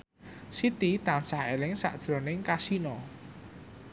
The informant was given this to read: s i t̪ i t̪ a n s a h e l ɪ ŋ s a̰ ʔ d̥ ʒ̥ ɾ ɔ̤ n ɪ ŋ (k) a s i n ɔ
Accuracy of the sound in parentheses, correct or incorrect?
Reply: correct